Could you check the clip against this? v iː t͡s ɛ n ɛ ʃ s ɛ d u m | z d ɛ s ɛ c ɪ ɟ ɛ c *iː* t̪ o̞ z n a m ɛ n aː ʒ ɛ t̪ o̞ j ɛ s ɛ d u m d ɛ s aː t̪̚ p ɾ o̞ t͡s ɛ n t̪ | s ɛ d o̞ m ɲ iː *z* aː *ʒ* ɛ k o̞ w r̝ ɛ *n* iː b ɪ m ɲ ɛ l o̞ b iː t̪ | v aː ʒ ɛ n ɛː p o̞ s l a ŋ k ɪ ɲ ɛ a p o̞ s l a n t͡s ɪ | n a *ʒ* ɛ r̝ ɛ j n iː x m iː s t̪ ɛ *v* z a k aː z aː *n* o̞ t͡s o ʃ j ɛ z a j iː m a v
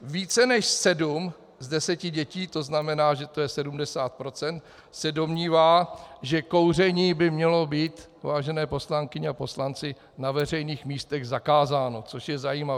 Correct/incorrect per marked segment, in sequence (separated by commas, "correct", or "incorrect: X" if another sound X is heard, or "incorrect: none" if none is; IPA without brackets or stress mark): correct, incorrect: v, correct, incorrect: ɲ, incorrect: v, incorrect: ɣ, correct